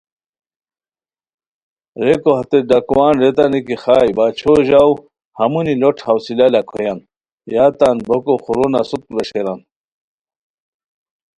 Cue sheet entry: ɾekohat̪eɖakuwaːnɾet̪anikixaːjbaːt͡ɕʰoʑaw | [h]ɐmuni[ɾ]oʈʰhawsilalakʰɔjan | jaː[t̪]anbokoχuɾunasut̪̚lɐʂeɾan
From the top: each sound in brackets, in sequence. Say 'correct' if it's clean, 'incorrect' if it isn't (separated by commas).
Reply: correct, incorrect, correct